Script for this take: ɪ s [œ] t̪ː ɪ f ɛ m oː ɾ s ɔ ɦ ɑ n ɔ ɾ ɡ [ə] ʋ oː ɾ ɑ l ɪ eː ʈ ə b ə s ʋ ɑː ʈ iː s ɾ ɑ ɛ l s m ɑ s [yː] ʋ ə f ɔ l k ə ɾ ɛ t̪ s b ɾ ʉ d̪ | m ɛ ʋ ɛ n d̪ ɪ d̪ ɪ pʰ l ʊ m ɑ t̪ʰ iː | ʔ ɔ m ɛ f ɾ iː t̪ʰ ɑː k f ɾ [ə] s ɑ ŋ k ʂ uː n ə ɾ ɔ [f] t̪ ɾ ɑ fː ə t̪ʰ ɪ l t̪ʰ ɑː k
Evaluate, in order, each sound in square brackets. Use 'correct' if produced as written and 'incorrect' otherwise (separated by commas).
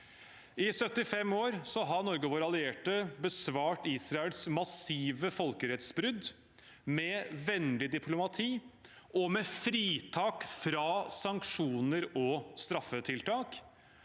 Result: correct, correct, incorrect, incorrect, incorrect